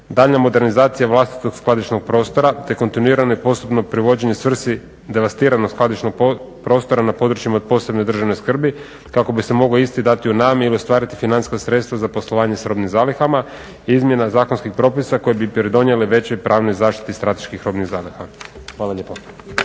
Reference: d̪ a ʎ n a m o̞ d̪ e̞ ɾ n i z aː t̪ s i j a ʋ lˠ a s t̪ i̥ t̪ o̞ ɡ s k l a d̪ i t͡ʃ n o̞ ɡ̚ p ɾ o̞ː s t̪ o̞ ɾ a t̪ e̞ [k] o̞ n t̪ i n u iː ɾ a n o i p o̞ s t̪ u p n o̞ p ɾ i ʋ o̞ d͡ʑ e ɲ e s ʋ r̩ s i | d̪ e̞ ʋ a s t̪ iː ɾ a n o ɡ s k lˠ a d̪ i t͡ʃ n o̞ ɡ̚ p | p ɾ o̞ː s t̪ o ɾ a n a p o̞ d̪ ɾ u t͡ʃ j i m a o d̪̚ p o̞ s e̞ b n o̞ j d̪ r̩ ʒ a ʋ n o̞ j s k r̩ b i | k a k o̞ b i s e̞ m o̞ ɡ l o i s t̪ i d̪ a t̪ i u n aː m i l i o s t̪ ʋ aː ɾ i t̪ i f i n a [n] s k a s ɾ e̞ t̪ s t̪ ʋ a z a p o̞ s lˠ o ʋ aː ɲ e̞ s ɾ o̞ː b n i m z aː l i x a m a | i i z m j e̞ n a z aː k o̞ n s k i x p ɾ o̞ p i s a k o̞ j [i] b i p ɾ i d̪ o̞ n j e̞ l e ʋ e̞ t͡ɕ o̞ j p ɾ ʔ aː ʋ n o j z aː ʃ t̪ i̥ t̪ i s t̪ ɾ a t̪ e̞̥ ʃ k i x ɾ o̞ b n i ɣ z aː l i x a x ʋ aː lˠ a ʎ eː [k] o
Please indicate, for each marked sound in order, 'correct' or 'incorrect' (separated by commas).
correct, correct, incorrect, incorrect